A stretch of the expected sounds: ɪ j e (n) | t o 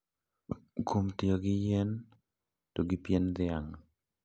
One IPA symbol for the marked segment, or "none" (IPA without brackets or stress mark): n